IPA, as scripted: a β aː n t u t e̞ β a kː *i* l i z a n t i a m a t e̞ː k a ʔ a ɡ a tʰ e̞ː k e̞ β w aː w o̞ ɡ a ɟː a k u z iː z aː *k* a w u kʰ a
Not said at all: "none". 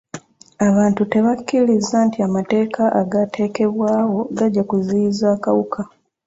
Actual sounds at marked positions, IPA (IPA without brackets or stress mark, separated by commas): i, k